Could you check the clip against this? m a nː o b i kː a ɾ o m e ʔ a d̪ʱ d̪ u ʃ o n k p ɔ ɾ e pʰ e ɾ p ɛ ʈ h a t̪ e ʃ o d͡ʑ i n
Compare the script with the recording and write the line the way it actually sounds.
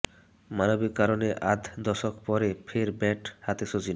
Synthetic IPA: m a n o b i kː a ɾ o n e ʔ a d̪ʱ d̪ ɔ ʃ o k p ɔ ɾ e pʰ e ɾ b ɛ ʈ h a t̪ e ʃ o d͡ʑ i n